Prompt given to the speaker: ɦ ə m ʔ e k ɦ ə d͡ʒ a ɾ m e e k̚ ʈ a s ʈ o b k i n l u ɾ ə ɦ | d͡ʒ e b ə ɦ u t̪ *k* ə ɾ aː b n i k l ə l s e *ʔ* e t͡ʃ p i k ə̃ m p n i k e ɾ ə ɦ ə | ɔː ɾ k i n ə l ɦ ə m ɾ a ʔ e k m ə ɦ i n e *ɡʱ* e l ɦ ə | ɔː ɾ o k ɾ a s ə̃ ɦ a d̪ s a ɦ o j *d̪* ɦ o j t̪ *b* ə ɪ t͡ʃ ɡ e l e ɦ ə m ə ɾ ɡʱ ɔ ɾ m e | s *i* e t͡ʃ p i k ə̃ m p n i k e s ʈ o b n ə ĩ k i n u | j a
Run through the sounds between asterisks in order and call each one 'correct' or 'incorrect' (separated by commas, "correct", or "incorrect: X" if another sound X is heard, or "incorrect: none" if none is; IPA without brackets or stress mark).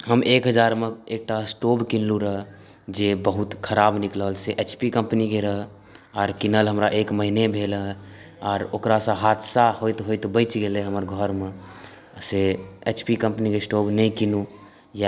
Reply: incorrect: kʰ, correct, incorrect: bʱ, incorrect: t̪, correct, incorrect: e